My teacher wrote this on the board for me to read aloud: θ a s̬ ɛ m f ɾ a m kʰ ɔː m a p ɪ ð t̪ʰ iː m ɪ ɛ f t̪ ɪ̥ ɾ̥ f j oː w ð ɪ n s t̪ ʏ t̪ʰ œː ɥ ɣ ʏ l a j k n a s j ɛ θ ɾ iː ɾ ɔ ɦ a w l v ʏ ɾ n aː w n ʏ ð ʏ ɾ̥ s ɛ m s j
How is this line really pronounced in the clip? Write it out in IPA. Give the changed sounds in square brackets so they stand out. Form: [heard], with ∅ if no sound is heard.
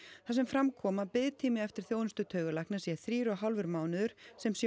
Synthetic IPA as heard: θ a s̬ ɛ m f ɾ a m kʰ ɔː m a p ɪ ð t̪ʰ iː m ɪ ɛ f t̪ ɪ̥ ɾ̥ [θ] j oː w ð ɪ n s t̪ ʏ t̪ʰ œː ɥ ɣ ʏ l a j k n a s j ɛ θ ɾ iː ɾ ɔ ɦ a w l v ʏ ɾ [m] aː w n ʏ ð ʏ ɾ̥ s ɛ m s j

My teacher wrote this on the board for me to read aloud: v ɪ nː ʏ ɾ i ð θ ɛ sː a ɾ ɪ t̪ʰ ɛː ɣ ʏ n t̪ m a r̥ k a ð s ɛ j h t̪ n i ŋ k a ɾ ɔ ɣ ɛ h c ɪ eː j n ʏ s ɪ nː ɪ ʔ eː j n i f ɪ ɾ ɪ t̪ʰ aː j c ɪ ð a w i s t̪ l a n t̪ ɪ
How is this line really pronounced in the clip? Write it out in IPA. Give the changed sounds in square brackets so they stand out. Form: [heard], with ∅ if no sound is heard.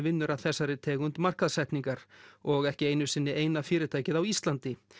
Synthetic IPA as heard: v ɪ nː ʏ ɾ [a] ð θ ɛ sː a ɾ ɪ t̪ʰ ɛː ɣ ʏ n t̪ m a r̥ k a ð s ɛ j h t̪ n i ŋ k a ɾ ɔ ɣ ɛ h c ɪ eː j n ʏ s ɪ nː ɪ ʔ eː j n [a] f [ɪː] ɾ ɪ t̪ʰ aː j c ɪ ð a w i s t̪ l a n t̪ ɪ

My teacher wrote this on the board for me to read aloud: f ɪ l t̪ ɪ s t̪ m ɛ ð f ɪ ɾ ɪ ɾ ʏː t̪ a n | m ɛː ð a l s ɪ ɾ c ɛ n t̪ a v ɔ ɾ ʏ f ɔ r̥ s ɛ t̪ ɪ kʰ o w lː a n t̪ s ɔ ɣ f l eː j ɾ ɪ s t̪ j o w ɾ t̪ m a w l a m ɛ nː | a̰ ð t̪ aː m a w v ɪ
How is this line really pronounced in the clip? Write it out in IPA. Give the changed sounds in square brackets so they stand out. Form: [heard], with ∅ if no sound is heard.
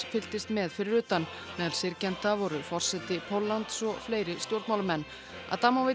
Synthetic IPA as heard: f ɪ l t̪ ɪ s t̪ m ɛ ð f ɪ ɾ ɪ ɾ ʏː t̪ a n | m ɛː ð a l s ɪ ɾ c ɛ n t̪ a v ɔ ɾ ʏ f ɔ r̥ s ɛ t̪ ɪ [pʰ] o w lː a n t̪ s ɔ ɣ f l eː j ɾ ɪ s t̪ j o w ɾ t̪ m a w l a m ɛ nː | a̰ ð t̪ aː m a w v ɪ

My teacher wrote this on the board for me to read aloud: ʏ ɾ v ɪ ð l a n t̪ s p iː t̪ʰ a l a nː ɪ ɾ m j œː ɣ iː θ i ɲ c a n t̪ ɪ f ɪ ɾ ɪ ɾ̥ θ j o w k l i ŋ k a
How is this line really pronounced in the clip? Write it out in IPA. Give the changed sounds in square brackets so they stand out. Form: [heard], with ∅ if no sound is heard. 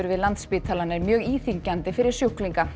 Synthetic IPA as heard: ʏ ɾ v ɪ ð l a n t̪ s p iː t̪ʰ a l a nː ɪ ɾ m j œː ɣ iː θ i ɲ c a n t̪ ɪ f ɪ ɾ ɪ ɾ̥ [s] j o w k l i ŋ k a

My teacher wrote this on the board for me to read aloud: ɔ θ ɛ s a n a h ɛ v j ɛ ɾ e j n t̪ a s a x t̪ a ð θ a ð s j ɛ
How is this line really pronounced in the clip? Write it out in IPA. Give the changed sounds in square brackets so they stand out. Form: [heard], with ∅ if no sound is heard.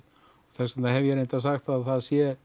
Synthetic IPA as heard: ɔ θ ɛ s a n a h ɛ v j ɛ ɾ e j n t̪ a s a x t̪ a ð θ a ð s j ɛ

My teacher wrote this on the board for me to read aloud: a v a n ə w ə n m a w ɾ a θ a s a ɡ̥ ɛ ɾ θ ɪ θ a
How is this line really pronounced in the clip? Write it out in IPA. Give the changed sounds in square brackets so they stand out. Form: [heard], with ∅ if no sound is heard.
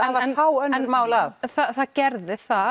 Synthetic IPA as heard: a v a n [a] w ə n m a w [l] a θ a [θ] a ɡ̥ ɛ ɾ [ð] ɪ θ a

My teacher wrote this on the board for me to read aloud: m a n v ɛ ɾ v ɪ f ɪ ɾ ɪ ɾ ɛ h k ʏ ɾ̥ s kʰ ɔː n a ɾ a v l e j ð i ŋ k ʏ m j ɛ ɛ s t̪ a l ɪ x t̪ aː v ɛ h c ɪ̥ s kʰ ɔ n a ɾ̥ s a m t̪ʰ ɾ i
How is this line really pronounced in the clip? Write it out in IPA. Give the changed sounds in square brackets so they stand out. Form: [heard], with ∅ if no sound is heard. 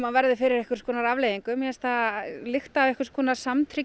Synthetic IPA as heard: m a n v ɛ ɾ [ð] ɪ f ɪ ɾ ɪ ɾ ɛ h k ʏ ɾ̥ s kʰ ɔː n a ɾ a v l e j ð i ŋ k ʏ m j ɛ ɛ s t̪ a l ɪ x t̪ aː v ɛ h [k] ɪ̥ s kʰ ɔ n a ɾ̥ s a m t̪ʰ ɾ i

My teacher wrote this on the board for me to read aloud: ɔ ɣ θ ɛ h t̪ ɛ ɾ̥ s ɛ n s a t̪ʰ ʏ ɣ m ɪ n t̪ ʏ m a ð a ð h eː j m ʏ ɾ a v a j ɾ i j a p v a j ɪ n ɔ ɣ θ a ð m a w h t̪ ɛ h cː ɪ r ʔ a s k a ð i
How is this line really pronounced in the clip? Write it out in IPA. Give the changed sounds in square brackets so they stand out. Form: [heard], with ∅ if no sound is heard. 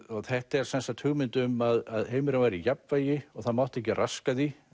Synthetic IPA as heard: ɔ ɣ θ ɛ h t̪ ɛ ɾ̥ s ɛ n s a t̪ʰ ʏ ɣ m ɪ n t̪ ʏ m a ð a ð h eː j m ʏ ɾ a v a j ɾ i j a p v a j ɪ [∅] ɔ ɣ θ a ð m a w h t̪ ɛ h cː ɪ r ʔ a s k a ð i

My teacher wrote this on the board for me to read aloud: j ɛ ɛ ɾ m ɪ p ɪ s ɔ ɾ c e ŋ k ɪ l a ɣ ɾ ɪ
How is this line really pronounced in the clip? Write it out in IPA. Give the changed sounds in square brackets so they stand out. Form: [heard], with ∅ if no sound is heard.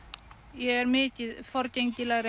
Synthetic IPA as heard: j ɛ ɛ ɾ m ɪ [c] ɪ [f] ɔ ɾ c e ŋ [c] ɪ l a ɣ ɾ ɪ

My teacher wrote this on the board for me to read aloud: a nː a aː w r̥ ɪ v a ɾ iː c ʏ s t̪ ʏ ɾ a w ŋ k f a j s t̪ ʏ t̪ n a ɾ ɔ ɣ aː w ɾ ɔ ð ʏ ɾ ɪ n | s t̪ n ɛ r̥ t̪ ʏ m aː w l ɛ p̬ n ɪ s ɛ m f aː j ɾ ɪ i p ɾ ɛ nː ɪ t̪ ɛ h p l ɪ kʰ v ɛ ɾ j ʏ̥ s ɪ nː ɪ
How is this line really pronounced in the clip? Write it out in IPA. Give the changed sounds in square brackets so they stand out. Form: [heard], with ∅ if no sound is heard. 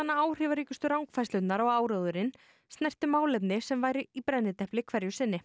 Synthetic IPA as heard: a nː a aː w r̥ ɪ v a ɾ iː c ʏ s t̪ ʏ ɾ a w ŋ k f a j s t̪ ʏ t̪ n a ɾ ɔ ɣ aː w ɾ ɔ ð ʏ ɾ ɪ n | s t̪ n ɛ r̥ t̪ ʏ m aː w l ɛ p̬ n ɪ s ɛ m [v] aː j ɾ ɪ i p ɾ ɛ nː ɪ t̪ ɛ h p l ɪ kʰ v ɛ ɾ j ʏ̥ s ɪ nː ɪ

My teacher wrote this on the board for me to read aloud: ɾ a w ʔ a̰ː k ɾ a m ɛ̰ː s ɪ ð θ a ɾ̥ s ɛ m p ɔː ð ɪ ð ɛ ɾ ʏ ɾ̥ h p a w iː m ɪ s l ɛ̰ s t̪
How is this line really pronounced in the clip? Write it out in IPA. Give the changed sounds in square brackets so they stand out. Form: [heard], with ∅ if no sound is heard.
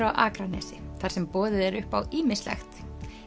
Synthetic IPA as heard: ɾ a w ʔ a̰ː k ɾ a [n] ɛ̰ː s ɪ [∅] θ a ɾ̥ s ɛ m p ɔː ð ɪ ð ɛ ɾ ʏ [∅] h p a w iː m ɪ s l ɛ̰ [x] t̪

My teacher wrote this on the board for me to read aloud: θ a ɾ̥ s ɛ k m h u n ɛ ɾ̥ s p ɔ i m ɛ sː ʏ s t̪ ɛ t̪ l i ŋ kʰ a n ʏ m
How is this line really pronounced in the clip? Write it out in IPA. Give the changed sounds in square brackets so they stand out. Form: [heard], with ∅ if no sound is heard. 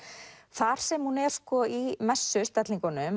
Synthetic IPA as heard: θ a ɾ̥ s ɛ [∅] m h u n ɛ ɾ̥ s [k] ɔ i m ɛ sː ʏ s t̪ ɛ t̪ l i ŋ [k] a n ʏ m

